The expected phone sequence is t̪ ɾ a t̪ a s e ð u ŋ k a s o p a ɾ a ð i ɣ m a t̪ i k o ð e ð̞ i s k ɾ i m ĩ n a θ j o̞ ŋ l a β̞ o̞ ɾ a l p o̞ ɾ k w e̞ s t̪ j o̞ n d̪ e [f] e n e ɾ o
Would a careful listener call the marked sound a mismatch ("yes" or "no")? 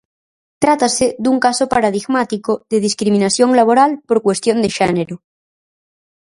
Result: yes